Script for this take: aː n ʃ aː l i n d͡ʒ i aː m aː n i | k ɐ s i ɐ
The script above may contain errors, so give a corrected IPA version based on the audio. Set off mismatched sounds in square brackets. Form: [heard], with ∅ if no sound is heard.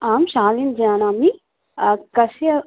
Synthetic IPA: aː [m] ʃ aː l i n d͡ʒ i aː [n] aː [m] i | k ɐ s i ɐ